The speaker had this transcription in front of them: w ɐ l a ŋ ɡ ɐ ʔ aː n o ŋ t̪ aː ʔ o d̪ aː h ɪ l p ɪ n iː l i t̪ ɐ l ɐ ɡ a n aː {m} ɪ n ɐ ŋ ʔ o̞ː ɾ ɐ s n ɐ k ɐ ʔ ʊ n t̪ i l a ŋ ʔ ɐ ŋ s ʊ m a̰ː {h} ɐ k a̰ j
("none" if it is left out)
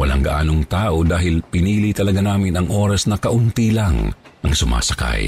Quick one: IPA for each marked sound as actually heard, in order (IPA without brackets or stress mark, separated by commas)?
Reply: m, s